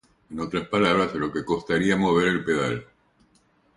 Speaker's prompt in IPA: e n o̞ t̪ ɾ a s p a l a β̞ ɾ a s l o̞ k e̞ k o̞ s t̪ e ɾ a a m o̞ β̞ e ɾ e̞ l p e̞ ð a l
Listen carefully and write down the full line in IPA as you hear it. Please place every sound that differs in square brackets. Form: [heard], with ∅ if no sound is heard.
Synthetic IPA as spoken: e n o̞ t̪ ɾ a s p a l a β̞ ɾ a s l o̞ k e̞ k o̞ s t̪ [a] ɾ [i] a m o̞ β̞ e ɾ e̞ l p e̞ ð a l